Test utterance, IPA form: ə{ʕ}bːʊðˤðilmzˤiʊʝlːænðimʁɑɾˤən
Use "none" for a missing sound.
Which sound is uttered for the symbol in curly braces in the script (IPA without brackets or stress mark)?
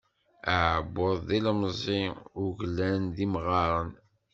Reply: ʕ